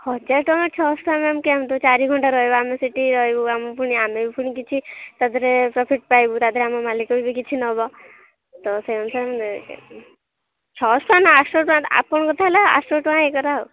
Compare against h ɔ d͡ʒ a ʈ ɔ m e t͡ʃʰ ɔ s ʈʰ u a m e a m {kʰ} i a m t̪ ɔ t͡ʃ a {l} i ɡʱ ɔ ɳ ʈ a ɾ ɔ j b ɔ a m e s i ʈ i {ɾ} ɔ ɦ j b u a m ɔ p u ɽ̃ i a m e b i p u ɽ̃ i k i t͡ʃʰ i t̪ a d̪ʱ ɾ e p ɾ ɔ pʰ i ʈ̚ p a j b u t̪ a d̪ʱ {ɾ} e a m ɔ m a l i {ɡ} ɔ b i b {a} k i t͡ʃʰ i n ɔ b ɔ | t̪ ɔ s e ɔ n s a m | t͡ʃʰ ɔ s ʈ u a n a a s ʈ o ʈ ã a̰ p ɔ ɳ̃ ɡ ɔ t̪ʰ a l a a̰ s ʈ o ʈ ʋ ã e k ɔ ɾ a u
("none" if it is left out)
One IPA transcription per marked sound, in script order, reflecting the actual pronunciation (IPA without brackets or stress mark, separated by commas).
k, ɾ, ɾ, ɾ, k, i